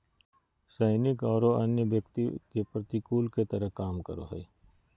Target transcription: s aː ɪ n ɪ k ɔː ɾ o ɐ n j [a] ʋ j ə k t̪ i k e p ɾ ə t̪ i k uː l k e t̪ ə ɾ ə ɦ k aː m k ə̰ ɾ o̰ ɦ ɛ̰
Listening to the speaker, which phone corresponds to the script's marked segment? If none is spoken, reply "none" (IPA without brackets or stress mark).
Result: ə